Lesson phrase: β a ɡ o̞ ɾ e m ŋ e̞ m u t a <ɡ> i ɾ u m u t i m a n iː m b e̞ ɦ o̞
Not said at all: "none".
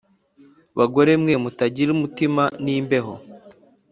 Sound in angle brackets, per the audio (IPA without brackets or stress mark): ɟ